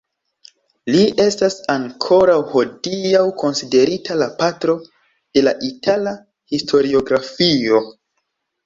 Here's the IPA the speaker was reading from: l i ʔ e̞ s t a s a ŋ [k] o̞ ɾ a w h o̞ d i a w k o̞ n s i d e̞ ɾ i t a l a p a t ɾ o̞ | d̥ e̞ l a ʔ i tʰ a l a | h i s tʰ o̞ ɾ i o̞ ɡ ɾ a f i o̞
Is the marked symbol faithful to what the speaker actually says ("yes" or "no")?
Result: no